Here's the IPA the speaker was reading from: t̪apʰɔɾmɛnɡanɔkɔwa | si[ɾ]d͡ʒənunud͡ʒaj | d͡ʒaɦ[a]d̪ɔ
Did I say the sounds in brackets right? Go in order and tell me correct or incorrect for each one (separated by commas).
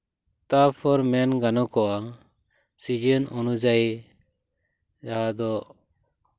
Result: incorrect, correct